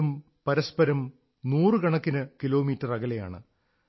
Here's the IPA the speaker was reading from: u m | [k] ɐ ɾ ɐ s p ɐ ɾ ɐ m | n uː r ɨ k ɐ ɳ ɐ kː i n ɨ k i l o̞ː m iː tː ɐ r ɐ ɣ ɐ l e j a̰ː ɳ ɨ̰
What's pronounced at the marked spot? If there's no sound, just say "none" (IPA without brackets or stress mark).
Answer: p